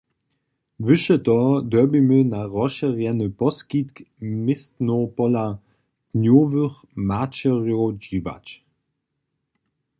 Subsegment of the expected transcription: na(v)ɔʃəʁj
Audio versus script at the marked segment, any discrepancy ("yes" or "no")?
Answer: yes